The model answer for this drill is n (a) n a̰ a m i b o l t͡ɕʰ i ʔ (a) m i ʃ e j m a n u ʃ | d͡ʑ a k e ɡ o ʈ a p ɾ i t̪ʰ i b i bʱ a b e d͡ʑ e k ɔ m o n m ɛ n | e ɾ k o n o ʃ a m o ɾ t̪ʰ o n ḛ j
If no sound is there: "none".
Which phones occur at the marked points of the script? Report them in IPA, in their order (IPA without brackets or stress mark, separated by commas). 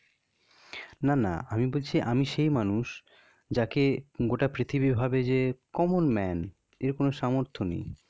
a, a